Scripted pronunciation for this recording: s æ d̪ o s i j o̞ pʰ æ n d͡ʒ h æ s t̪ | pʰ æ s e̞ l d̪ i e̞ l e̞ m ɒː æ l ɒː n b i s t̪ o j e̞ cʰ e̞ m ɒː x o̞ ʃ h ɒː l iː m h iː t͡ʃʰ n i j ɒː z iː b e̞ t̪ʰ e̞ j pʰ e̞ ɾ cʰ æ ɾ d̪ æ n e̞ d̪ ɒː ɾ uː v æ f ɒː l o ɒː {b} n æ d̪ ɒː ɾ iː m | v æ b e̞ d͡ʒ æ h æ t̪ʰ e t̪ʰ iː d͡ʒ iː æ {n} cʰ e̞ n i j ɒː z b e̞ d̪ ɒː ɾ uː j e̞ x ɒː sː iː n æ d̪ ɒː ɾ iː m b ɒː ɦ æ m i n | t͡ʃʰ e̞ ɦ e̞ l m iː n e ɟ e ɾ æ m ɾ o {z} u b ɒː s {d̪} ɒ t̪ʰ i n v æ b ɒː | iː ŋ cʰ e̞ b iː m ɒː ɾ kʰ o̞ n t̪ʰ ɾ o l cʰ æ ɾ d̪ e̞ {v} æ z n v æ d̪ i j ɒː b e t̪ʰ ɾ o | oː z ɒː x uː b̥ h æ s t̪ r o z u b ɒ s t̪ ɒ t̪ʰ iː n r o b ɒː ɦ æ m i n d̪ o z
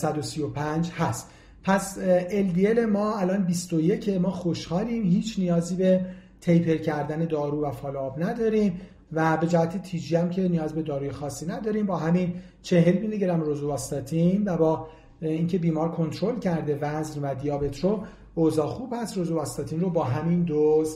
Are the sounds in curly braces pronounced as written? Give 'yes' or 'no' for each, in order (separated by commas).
yes, no, yes, no, yes